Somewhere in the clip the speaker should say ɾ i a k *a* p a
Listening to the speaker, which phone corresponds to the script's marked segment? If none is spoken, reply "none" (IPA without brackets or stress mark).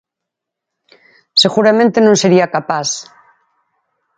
a